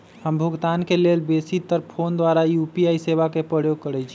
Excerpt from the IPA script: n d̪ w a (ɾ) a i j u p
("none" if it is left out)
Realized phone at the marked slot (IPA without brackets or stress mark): ɾ